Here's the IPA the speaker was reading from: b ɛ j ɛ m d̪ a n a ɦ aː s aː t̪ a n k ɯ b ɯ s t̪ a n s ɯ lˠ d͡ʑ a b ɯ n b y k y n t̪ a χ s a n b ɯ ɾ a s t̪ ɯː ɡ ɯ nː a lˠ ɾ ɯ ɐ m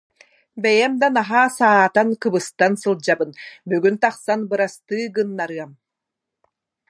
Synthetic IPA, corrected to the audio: b ɛ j ɛ m d̪ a n a ɦ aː s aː t̪ a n k ɯ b ɯ s t̪ a n s ɯ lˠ d͡ʑ a b ɯ n b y ɡ y n t̪ a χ s a n b ɯ ɾ a s t̪ ɯː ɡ ɯ nː a ɾ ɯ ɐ m

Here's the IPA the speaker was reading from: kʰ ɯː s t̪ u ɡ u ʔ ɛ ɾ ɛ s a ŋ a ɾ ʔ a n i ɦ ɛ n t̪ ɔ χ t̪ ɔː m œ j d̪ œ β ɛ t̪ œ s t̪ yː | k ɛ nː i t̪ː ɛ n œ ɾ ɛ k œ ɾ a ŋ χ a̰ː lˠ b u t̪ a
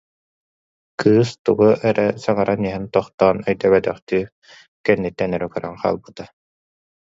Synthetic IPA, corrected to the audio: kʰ ɯː s t̪ u ɡ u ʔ ɛ ɾ ɛ s a ŋ a ɾ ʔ a n i ɦ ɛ n t̪ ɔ χ t̪ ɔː n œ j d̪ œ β ɛ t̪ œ χ t̪ yː | k ɛ nː i t̪ː ɛ n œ ɾ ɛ k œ ɾ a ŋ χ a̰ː lˠ b ɯ t̪ a

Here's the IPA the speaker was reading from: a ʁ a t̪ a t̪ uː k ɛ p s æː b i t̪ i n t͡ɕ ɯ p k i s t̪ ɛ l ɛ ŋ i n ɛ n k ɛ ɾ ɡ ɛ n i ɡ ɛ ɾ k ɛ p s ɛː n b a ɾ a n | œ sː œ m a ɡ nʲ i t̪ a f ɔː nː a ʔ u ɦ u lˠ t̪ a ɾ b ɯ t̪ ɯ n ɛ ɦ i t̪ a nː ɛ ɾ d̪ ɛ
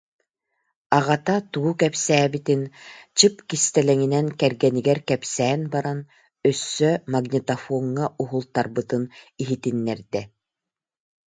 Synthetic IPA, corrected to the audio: a ʁ a t̪ a t̪ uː k ɛ p s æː b i t̪ i n t͡ɕ ɯ p k i s t̪ ɛ l ɛ ŋ i n ɛ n k ɛ ɾ ɡ ɛ n i ɡ ɛ ɾ k ɛ p s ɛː n b a ɾ a n | œ sː œ m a ɡ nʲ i t̪ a f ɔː ŋː a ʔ u ɦ u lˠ t̪ a ɾ b ɯ t̪ ɯ n i ɦ i t̪ i nː ɛ ɾ d̪ ɛ

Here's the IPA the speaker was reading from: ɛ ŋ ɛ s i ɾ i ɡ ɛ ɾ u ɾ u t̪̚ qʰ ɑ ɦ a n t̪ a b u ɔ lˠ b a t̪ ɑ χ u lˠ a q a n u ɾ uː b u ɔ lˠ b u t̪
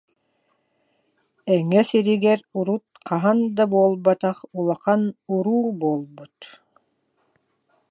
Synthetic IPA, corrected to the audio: ɛ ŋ ɛ s i ɾ i ɡ ɛ ɾ u ɾ u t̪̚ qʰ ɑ ɦ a n d̪ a b u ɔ lˠ b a t̪ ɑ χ u lˠ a q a n u ɾ uː b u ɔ lˠ b u t̪

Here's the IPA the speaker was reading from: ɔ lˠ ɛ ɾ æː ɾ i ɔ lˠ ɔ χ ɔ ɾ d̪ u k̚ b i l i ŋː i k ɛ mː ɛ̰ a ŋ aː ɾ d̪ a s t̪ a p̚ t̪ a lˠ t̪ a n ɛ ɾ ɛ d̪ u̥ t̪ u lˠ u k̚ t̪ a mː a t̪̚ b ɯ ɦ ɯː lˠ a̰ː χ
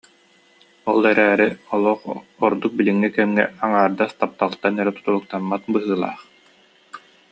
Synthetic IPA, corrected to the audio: ɔ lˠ ɛ ɾ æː ɾ i ɔ lˠ ɔ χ ɔ ɾ d̪ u k̚ b i l i ŋː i k ɛ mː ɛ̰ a ŋ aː ɾ d̪ a s t̪ a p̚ t̪ a lˠ t̪ a n ɛ ɾ ɛ t̪ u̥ t̪ u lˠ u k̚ t̪ a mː a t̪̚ b ɯ ɦ ɯː lˠ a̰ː χ

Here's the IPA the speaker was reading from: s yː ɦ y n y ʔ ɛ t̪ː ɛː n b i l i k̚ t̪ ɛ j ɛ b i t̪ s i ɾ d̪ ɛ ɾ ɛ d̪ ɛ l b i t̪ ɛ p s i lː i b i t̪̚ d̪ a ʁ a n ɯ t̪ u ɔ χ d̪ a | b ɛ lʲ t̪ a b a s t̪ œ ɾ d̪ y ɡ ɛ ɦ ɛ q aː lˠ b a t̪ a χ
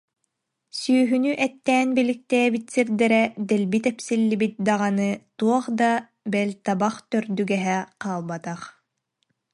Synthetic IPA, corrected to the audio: s yː ɦ y n y ʔ ɛ t̪ː ɛː n b i l i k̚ t̪ ɛ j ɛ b i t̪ s i ɾ d̪ ɛ ɾ ɛ d̪ ɛ l b i t̪ ɛ p s i lː i b i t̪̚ d̪ a ʁ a n ɯ t̪ u ɔ χ d̪ a | b ɛ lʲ t̪ a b a χ t̪ œ ɾ d̪ y ɡ ɛ ɦ ɛ q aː lˠ b a t̪ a χ

